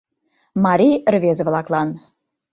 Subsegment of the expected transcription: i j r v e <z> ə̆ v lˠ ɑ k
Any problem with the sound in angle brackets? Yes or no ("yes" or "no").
no